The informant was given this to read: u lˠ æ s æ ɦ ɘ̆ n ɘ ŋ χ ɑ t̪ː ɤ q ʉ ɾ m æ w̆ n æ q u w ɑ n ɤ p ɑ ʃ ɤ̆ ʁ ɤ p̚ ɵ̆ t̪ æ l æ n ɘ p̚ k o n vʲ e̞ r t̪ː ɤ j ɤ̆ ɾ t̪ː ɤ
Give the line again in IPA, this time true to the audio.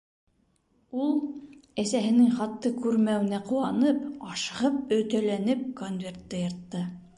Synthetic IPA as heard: u lˠ æ s æ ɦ ɘ̆ n ɘ ŋ χ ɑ t̪ː ɤ k ʉ ɾ m æ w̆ n æ q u w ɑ n ɤ p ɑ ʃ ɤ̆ ʁ ɤ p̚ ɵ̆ t̪ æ l æ n ɘ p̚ k o n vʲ e̞ r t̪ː ɤ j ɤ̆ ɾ t̪ː ɤ